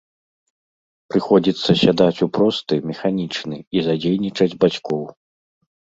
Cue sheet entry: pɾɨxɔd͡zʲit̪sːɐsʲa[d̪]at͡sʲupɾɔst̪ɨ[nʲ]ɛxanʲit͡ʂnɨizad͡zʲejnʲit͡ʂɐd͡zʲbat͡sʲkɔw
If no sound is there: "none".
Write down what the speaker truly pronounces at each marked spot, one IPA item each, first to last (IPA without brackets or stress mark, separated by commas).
d̪, mʲ